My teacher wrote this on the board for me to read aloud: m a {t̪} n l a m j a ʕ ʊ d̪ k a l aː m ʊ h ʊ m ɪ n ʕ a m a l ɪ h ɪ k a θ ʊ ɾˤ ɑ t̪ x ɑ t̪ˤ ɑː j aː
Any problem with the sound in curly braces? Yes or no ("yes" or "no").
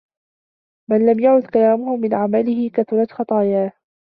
yes